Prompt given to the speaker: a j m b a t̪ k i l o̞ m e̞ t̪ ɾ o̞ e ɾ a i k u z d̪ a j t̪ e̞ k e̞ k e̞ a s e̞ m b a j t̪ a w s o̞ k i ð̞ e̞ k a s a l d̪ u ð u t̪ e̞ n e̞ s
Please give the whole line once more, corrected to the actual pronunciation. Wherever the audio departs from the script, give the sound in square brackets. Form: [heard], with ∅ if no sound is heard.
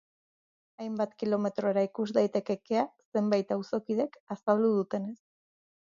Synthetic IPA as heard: a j m b a t̪ k i l o̞ m e̞ t̪ ɾ o̞ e ɾ a i k u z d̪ a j t̪ e̞ k e̞ k e̞ a s e̞ m b a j t̪ a w s o̞ k i ð̞ e̞ k a s a l d̪ u ð u t̪ e̞ n e̞ s